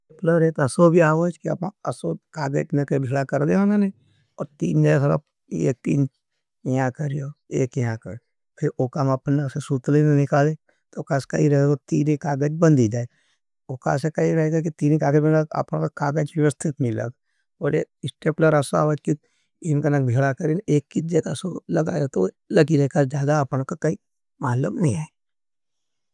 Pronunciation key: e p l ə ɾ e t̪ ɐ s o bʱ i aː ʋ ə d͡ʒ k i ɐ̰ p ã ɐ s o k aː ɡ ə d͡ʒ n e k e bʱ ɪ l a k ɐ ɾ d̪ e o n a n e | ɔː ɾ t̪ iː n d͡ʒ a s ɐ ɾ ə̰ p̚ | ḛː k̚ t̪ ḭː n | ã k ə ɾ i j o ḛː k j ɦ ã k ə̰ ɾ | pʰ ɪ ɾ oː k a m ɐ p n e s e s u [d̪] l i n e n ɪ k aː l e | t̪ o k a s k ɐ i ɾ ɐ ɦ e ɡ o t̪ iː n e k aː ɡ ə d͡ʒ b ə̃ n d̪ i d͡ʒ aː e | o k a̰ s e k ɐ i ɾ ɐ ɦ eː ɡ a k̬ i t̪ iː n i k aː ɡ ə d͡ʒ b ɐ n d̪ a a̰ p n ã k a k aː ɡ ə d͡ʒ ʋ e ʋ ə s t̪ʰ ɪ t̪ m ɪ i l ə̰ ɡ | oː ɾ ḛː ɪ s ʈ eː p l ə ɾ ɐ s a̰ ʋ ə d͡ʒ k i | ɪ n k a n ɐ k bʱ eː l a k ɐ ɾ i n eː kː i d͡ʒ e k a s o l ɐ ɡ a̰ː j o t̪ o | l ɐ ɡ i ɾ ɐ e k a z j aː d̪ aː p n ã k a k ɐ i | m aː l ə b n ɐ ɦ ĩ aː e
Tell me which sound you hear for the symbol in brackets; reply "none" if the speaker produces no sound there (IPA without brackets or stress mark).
t̪